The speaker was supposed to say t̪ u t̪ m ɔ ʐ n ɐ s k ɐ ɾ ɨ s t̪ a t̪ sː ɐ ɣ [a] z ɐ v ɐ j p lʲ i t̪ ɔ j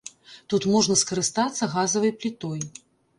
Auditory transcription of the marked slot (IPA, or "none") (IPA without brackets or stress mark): a